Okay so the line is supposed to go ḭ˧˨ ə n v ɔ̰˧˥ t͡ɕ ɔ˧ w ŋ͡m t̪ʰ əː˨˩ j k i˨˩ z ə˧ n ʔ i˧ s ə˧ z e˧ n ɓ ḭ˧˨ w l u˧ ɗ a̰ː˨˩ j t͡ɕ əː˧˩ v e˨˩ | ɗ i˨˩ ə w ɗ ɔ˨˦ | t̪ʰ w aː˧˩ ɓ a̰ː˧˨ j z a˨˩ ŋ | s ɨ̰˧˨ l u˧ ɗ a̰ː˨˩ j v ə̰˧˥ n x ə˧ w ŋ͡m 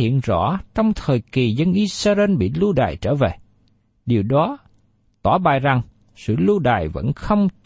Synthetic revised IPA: ḭ˧˨ ə n z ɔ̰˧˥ t͡ɕ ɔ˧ w ŋ͡m t̪ʰ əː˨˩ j k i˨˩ z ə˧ n ʔ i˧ s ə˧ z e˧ n ɓ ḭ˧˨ l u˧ ɗ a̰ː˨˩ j t͡ɕ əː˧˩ v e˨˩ | ɗ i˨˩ ə w ɗ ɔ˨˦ | t̪ w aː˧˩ ɓ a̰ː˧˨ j z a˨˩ ŋ | s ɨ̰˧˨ l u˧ ɗ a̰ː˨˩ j v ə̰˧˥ n x ə˧ w ŋ͡m